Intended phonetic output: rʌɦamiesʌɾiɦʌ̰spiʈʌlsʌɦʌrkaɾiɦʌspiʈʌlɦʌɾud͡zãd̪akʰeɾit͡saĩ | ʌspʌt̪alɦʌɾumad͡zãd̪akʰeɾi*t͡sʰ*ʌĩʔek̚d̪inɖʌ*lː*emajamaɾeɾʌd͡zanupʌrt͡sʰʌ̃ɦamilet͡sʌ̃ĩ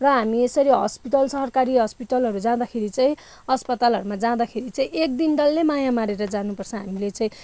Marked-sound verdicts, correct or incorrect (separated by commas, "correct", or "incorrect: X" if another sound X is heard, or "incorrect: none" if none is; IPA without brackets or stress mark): incorrect: t͡s, correct